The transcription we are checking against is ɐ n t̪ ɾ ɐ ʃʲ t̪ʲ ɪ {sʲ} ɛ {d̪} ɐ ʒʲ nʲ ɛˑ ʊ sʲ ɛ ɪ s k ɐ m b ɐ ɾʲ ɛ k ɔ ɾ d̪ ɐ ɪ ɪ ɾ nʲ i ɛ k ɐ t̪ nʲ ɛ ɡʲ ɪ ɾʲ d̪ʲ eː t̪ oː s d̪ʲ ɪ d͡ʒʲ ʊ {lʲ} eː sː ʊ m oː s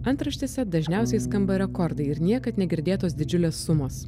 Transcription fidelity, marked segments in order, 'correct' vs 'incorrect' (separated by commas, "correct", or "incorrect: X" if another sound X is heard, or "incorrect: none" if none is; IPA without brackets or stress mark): correct, correct, correct